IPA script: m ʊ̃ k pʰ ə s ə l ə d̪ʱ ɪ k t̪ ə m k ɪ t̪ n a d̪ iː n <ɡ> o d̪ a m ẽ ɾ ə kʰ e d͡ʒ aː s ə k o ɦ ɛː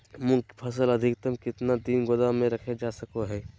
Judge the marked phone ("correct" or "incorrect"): correct